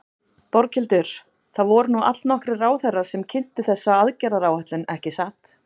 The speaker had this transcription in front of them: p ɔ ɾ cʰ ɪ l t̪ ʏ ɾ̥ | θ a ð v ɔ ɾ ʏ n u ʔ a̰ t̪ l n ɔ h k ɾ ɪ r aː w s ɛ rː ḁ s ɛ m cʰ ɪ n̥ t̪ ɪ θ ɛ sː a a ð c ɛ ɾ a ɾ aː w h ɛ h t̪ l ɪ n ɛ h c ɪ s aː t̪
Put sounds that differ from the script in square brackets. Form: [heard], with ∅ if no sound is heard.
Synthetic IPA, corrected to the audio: p ɔ ɾ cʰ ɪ l t̪ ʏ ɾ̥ | θ a ð v ɔ ɾ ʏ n u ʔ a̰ t̪ l n ɔ h k ɾ ɪ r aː w [θ] ɛ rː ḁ s ɛ m cʰ ɪ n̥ t̪ ɪ θ ɛ sː a a ð c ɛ ɾ a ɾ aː w h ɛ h t̪ l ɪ n ɛ h c ɪ s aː t̪